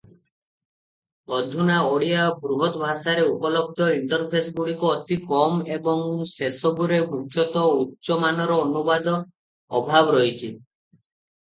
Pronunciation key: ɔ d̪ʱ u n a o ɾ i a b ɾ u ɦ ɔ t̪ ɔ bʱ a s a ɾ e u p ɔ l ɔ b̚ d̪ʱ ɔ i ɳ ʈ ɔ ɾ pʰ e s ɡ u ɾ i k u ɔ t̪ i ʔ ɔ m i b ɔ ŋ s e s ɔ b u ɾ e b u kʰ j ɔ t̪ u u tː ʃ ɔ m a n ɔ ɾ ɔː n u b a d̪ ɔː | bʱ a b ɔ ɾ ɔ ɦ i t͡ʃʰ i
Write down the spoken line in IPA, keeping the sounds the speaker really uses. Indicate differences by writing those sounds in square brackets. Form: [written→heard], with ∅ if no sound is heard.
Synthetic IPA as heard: ɔ d̪ʱ u n a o [ɾ→ɽ] i a b ɾ u ɦ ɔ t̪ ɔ bʱ a s a ɾ e u p ɔ l ɔ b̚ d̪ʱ ɔ i ɳ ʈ ɔ ɾ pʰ e s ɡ u [ɾ→ɽ] i k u ɔ t̪ i [ʔ→k] ɔ m [i→e] b ɔ ŋ s e s ɔ b u ɾ e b u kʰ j ɔ t̪ [u→ɔ] u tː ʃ ɔ m a n ɔ ɾ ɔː n u b a d̪ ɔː | bʱ a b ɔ ɾ ɔ ɦ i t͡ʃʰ i